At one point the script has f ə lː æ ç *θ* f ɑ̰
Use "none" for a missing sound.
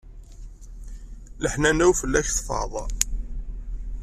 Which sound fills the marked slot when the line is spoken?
θ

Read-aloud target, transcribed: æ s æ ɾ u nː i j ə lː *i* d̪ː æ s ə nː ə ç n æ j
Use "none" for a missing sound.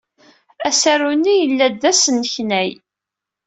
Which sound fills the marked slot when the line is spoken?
æ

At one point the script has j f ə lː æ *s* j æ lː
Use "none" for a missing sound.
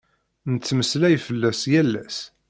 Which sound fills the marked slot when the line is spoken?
s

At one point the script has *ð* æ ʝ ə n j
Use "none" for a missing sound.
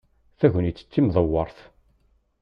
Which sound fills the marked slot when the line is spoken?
θ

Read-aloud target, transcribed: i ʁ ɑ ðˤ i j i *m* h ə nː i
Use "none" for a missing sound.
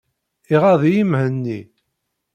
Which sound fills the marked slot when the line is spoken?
m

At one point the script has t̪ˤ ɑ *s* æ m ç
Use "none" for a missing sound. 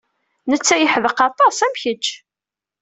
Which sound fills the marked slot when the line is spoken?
s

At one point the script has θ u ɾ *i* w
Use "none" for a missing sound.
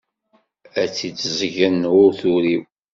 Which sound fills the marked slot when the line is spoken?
i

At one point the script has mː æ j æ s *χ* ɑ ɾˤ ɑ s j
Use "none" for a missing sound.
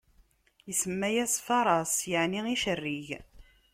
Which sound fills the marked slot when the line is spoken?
f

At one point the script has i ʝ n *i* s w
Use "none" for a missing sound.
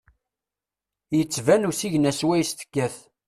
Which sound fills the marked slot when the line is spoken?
æ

